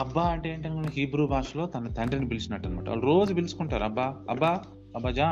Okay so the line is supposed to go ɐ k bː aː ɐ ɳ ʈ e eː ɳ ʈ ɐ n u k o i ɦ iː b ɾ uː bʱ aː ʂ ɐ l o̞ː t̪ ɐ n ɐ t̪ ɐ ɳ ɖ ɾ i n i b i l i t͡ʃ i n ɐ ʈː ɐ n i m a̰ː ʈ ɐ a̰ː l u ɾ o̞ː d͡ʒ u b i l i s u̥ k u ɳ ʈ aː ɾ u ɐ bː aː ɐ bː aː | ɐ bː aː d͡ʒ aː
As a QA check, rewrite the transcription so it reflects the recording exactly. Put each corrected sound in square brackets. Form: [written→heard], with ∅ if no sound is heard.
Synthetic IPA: ɐ [k→∅] bː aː ɐ ɳ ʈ e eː ɳ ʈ ɐ n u k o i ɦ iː b ɾ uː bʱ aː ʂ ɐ l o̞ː t̪ ɐ n ɐ t̪ ɐ ɳ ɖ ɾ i n i b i l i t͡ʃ i n ɐ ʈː ɐ n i m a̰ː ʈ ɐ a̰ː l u ɾ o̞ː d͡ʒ u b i l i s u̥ k u ɳ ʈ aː ɾ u ɐ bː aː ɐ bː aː | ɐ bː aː d͡ʒ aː